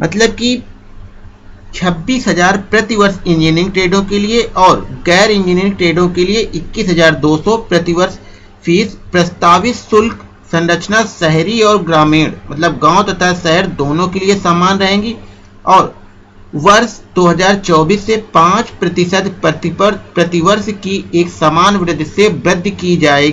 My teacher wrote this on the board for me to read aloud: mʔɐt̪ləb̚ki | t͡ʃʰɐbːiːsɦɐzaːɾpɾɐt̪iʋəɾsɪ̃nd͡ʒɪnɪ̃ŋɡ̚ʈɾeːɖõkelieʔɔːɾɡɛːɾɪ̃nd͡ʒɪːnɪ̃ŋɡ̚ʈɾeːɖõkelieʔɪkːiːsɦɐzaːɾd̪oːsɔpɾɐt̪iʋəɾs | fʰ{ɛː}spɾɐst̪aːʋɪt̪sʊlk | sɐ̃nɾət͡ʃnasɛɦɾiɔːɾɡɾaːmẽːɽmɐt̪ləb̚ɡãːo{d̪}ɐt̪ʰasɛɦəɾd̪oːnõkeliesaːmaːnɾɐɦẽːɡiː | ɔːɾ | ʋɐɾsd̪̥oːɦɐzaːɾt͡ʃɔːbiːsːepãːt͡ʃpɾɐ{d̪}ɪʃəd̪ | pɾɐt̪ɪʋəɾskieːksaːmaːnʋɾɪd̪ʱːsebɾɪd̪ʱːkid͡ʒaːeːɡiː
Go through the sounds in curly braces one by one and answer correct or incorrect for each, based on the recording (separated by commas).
incorrect, incorrect, incorrect